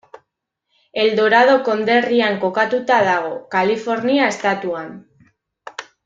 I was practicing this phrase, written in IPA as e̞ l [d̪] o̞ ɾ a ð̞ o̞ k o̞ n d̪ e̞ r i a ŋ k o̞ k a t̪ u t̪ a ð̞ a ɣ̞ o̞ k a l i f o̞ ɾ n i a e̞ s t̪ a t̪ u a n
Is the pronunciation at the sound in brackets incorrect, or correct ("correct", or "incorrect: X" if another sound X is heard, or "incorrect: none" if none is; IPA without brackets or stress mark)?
correct